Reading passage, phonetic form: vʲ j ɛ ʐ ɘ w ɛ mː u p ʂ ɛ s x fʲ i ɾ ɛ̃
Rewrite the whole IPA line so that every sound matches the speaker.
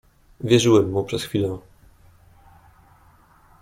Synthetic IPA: vʲ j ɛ ʐ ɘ w ɛ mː u p ʂ ɛ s x fʲ i l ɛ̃